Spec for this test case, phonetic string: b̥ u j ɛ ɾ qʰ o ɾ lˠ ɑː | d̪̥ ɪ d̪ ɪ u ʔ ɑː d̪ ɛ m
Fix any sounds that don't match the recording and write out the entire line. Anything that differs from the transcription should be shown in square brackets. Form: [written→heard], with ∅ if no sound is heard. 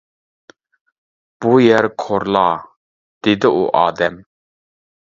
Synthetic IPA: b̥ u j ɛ ɾ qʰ o ɾ lˠ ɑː | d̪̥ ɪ d̪ ɪ u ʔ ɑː d̪ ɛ m